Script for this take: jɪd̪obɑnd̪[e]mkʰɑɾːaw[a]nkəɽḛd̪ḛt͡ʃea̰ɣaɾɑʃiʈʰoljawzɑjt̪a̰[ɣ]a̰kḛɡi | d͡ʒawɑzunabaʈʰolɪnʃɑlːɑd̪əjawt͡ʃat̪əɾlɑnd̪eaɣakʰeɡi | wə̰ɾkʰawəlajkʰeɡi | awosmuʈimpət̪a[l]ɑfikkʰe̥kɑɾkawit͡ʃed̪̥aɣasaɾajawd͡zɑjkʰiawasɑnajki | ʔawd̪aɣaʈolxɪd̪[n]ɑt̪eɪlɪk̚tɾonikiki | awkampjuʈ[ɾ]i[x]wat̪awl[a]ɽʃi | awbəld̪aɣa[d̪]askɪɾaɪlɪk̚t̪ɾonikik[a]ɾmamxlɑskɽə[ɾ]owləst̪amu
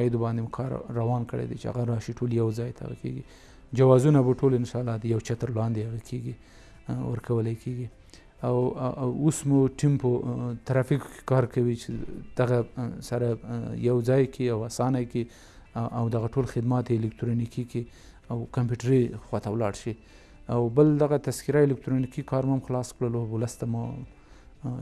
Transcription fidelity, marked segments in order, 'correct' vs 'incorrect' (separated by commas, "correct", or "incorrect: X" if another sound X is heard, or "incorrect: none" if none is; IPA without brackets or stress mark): correct, incorrect: ɑ, correct, incorrect: ɾ, incorrect: m, correct, correct, incorrect: ɑ, incorrect: t̪, incorrect: ɑ, incorrect: l